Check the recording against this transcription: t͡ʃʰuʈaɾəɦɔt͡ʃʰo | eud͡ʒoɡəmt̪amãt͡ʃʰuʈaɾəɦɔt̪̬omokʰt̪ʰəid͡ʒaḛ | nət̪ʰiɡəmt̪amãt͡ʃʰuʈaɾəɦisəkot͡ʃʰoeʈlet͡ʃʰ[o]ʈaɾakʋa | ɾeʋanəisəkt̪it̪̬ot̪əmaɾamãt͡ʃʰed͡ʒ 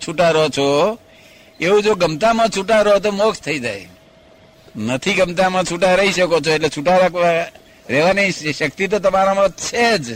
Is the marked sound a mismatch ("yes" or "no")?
yes